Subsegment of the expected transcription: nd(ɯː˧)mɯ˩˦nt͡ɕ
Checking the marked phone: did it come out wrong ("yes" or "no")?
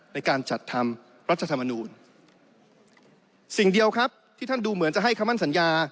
yes